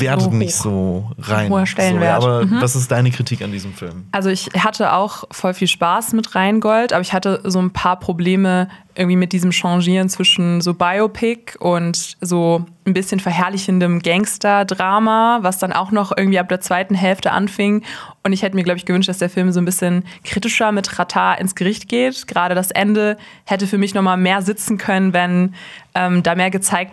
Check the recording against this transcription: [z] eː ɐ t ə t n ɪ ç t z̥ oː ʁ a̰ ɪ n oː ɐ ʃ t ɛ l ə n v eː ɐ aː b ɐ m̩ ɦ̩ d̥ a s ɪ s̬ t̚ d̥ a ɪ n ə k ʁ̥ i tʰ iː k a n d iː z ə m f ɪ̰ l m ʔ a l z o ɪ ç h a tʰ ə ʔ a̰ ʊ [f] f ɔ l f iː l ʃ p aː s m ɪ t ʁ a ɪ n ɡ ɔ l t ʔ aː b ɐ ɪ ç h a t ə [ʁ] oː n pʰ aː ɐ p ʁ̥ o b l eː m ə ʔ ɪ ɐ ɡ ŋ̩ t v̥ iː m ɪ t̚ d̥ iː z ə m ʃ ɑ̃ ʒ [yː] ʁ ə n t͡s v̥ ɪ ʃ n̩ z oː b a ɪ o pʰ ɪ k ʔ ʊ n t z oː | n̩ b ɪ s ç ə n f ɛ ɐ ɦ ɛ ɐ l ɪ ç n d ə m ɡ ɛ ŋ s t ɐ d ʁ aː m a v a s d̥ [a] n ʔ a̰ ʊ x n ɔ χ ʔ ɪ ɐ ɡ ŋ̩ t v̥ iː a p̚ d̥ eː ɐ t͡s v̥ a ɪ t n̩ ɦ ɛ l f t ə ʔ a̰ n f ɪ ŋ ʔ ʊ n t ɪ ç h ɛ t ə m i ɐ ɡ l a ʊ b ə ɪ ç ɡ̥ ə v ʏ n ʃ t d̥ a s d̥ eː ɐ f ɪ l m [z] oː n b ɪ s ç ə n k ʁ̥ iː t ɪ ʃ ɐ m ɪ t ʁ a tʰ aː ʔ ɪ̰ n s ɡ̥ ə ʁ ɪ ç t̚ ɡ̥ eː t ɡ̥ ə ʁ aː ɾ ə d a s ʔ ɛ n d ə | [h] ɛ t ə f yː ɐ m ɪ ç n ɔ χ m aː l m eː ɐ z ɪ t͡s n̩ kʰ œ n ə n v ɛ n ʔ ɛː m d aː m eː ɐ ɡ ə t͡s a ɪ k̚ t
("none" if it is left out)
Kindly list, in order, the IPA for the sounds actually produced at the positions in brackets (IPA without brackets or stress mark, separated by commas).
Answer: v, x, z, iː, a, z, h